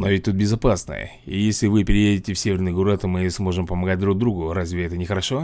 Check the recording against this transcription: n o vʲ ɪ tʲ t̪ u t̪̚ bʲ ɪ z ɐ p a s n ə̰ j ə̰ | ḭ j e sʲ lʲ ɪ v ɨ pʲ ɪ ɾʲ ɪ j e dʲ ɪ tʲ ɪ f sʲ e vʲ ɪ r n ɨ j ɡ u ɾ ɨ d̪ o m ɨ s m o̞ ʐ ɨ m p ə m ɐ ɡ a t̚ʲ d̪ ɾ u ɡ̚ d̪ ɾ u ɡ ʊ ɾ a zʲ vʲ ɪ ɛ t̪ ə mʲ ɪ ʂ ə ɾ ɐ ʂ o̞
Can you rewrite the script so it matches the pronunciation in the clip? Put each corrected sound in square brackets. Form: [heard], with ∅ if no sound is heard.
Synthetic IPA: n o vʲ ɪ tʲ t̪ u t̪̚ bʲ ɪ z ɐ p a s n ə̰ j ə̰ | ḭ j e sʲ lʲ ɪ v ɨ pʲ ɪ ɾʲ ɪ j e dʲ ɪ tʲ ɪ f sʲ e vʲ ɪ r n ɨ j ɡ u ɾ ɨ [t̪] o m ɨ s m o̞ ʐ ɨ m p ə m ɐ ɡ a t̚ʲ d̪ ɾ u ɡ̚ d̪ ɾ u ɡ ʊ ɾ a zʲ vʲ ɪ ɛ t̪ ə [nʲ] ɪ [x] ə ɾ ɐ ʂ o̞